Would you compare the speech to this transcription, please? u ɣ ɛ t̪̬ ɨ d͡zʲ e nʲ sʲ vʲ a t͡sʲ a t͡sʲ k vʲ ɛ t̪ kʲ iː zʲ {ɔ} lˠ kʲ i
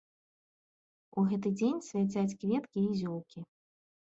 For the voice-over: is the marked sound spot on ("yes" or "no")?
yes